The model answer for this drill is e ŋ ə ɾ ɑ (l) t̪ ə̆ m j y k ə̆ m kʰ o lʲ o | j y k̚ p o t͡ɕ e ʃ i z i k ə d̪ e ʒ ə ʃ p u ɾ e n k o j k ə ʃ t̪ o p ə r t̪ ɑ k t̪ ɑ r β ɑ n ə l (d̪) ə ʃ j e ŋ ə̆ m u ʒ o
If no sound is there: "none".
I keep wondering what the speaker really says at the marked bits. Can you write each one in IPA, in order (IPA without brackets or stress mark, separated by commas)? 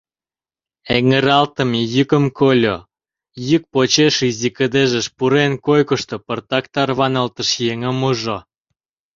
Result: l, t̪